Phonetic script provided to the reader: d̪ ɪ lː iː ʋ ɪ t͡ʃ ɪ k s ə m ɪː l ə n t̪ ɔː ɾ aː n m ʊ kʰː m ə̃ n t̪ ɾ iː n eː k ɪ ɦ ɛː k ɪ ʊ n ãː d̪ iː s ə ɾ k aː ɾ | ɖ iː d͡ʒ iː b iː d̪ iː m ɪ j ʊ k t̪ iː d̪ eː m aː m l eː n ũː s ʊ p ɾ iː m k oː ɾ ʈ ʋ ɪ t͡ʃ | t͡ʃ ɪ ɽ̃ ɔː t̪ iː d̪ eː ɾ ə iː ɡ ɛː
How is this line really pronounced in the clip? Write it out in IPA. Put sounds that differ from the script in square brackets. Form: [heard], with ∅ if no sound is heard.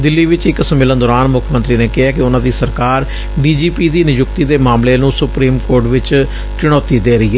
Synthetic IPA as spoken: d̪ ɪ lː iː ʋ ɪ t͡ʃ ɪ k s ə m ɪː l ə n [d̪] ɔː ɾ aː n m ʊ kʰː m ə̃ n t̪ ɾ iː n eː k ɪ ɦ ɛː k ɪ ʊ n ãː d̪ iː s ə ɾ k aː ɾ | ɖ iː d͡ʒ iː [p] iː d̪ iː [n] ɪ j ʊ k t̪ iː d̪ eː m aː m l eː n ũː s ʊ p ɾ iː m k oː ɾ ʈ ʋ ɪ t͡ʃ | t͡ʃ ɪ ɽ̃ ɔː t̪ iː d̪ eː ɾ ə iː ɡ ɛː